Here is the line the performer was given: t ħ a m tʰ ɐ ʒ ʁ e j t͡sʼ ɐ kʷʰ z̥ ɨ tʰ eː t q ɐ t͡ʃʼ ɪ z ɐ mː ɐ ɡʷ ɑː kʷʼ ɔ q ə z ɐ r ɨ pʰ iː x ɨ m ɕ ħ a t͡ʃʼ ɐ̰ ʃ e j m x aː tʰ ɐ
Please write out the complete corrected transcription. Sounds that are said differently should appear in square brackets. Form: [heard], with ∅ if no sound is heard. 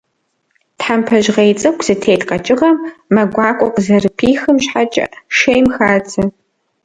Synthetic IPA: t ħ a m [pʰ] ɐ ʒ ʁ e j t͡sʼ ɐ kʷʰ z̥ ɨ tʰ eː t q ɐ t͡ʃʼ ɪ [ʁ] ɐ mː ɐ ɡʷ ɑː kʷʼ ɔ q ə z ɐ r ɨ pʰ iː x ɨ m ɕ ħ a t͡ʃʼ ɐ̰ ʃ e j m x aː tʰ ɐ